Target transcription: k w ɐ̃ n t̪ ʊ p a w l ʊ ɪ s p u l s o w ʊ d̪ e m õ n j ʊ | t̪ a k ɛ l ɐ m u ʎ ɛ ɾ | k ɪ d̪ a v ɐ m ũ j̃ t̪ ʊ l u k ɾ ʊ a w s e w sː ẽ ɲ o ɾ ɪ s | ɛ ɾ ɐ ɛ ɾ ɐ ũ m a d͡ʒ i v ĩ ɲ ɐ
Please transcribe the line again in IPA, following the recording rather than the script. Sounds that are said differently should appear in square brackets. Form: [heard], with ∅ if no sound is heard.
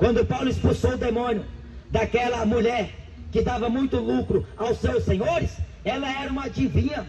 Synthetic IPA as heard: k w ɐ̃ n [d̪] ʊ p a w l ʊ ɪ s p u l s o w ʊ d̪ e m õ n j ʊ | [d̪] a k ɛ l ɐ m u ʎ ɛ ɾ | k ɪ d̪ a v ɐ m ũ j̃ t̪ ʊ l u k ɾ ʊ a w s e w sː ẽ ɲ o ɾ ɪ s | ɛ [l] ɐ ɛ ɾ ɐ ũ m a d͡ʒ i v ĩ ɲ ɐ